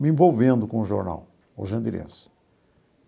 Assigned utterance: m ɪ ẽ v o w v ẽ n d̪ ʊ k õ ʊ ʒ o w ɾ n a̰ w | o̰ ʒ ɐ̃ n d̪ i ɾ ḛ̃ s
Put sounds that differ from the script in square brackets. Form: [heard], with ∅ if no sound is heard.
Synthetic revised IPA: m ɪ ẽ v o w v ẽ n d̪ ʊ k õ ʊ ʒ o [∅] ɾ n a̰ w | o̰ ʒ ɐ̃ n d̪ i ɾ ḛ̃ s